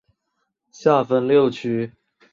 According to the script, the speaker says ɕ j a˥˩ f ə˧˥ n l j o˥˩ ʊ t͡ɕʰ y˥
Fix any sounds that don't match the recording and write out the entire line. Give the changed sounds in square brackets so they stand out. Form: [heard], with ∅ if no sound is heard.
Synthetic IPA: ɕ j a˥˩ f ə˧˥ n l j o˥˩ ʊ t͡ɕʰ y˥